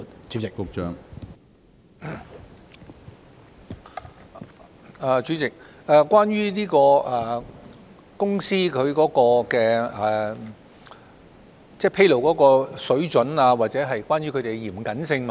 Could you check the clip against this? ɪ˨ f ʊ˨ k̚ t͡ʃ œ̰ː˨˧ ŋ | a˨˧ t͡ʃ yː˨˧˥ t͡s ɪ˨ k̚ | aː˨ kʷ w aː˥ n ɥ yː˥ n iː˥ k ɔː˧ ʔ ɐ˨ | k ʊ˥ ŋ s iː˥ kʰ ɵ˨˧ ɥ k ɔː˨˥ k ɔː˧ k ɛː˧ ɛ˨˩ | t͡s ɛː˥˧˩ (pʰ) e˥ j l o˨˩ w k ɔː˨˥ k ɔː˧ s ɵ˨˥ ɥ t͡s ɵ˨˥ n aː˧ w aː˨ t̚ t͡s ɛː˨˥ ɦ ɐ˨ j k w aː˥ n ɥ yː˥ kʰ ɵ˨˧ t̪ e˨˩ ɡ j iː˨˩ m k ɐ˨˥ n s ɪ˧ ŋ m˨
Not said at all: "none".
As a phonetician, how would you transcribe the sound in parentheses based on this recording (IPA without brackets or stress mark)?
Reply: pʰ